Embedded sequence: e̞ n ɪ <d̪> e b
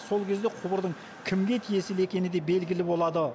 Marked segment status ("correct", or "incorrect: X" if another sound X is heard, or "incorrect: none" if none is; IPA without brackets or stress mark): correct